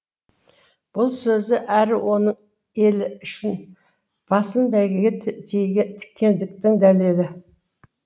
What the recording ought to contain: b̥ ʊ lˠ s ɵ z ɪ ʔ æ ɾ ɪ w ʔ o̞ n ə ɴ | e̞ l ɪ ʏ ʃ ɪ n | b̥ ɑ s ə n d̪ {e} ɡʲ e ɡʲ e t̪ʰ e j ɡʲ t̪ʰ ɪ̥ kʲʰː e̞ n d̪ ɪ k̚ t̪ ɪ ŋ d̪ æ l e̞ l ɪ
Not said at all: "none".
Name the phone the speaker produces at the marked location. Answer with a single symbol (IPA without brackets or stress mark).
æ